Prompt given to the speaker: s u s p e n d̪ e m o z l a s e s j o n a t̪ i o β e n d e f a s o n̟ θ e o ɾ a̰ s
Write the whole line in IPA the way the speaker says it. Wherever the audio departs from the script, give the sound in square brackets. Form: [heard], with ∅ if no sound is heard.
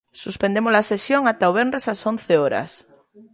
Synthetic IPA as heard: s u s p e n d̪ e m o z l a s e s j o [ŋ] a t̪ [a] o β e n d e [s] a s o n̟ θ e o ɾ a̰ s